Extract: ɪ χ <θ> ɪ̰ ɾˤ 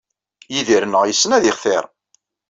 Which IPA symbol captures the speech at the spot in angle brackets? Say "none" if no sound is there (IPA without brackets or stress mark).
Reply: θ